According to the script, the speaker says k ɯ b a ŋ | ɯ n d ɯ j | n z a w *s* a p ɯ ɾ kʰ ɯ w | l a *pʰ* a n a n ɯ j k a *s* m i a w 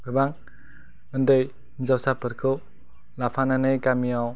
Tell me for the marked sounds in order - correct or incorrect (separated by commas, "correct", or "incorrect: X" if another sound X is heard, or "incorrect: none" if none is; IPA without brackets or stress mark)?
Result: correct, correct, incorrect: none